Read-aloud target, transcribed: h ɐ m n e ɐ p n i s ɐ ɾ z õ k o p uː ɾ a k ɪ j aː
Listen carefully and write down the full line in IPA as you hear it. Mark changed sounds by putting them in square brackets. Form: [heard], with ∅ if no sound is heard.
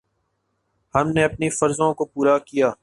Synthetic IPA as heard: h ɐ m n e ɐ p n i [f] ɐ ɾ z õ k o p uː ɾ a k [i] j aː